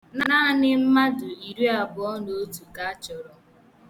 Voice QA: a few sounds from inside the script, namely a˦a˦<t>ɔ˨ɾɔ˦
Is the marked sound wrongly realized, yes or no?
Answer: yes